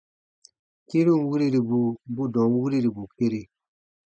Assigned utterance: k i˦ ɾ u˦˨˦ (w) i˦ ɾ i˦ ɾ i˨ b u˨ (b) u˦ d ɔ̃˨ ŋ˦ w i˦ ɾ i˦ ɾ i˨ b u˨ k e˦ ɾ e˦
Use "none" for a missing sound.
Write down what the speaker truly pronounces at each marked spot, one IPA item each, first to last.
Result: w, b

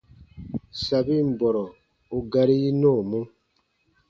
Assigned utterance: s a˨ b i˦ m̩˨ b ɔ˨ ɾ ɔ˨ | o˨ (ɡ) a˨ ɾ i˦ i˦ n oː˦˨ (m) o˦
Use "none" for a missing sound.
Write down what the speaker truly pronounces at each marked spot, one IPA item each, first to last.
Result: ɡ, m

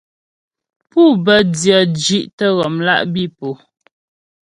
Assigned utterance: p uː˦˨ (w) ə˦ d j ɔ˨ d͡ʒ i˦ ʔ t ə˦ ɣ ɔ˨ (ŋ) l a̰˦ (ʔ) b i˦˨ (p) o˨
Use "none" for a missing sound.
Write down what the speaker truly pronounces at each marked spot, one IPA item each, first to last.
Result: b, m, ʔ, p

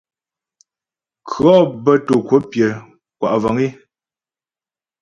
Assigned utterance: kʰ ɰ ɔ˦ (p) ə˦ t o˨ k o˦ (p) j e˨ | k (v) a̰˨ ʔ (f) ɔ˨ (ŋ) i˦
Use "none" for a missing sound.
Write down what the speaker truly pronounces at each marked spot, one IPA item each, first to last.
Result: b, p, w, v, ŋ

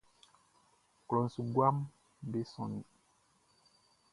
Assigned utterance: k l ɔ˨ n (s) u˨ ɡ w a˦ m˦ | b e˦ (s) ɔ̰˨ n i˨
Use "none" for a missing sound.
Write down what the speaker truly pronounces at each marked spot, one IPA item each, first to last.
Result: s, s

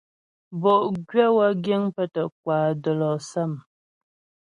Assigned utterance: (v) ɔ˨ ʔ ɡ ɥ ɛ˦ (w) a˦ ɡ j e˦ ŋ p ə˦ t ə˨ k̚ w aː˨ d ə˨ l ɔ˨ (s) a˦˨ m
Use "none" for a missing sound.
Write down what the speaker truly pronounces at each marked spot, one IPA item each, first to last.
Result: b, w, s

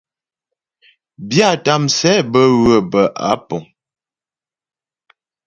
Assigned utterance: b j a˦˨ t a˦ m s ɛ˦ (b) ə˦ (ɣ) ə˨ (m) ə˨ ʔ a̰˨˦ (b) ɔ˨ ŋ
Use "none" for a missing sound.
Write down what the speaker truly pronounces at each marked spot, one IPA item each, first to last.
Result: b, ɣ, b, p

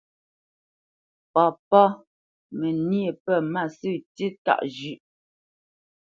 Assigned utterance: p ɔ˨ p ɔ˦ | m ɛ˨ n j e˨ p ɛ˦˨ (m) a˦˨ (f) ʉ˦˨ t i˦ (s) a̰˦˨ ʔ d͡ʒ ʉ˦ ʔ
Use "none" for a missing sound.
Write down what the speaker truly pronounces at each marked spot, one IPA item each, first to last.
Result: m, s, t

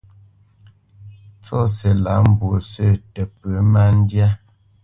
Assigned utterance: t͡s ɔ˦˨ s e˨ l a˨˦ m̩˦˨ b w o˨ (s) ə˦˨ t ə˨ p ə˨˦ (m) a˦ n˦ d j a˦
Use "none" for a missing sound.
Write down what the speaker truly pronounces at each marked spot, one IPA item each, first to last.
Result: s, m

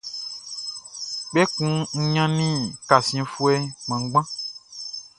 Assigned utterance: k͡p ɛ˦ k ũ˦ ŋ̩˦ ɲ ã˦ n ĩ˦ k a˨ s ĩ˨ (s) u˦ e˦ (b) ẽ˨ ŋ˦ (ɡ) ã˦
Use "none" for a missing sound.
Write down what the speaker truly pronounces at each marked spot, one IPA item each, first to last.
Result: f, m, ɡ͡b

